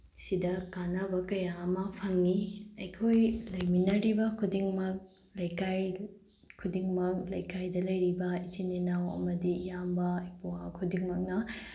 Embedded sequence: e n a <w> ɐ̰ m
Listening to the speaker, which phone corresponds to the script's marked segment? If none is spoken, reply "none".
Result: w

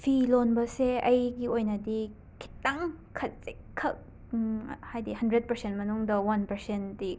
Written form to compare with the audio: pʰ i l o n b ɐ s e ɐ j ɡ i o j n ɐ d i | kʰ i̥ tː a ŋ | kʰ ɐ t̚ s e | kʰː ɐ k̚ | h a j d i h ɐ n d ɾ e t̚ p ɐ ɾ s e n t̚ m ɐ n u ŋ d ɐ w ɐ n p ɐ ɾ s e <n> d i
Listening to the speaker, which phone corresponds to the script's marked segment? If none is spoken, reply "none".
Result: n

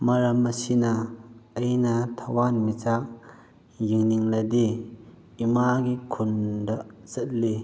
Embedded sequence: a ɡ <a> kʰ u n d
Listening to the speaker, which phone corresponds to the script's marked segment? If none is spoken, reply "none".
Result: i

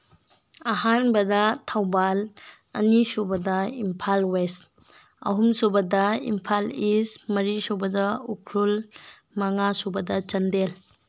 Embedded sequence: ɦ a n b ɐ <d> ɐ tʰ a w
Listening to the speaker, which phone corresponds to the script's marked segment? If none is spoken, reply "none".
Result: d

